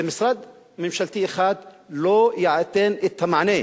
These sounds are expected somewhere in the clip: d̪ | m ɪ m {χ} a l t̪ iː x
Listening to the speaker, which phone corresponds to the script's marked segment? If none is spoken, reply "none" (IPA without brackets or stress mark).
ʃ